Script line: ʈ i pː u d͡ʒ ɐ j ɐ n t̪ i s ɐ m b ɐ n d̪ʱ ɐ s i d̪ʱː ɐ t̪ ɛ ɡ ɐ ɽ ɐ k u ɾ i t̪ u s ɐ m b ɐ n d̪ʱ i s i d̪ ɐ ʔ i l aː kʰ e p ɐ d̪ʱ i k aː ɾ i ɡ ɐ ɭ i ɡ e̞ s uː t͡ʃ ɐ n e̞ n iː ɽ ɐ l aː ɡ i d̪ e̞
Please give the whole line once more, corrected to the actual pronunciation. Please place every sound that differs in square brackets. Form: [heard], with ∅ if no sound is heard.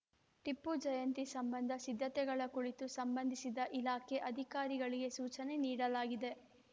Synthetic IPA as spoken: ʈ i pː u d͡ʒ ɐ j ɐ n t̪ i s ɐ m b ɐ n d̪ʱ ɐ s i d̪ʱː ɐ t̪ ɛ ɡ ɐ [ɭ] ɐ k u [ɭ] i t̪ u s ɐ m b ɐ n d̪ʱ i s i d̪ ɐ ʔ i l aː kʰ e [ʔ] ɐ d̪ʱ i k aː ɾ i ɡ ɐ ɭ i ɡ e̞ s uː t͡ʃ ɐ n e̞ n iː ɽ ɐ l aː ɡ i d̪ e̞